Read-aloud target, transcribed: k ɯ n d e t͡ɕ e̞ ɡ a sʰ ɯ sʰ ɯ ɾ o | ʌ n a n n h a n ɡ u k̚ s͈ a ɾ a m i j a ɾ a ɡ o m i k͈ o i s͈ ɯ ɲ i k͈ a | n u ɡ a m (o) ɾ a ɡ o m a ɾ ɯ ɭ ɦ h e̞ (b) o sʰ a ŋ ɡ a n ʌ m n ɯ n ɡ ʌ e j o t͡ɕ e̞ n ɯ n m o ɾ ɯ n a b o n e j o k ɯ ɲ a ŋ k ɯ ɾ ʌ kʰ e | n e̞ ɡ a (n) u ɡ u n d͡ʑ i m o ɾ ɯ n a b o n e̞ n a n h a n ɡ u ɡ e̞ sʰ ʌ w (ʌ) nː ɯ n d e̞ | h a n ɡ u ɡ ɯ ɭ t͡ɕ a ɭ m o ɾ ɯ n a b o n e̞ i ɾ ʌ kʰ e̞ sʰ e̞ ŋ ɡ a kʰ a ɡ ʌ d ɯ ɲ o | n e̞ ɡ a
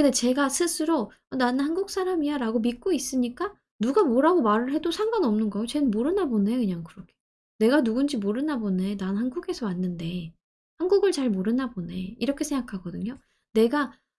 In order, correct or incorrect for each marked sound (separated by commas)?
correct, incorrect, correct, incorrect